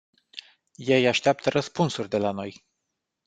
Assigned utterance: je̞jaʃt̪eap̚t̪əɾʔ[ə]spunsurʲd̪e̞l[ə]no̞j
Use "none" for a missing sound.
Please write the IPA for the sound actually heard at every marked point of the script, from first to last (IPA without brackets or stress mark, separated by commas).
ə, a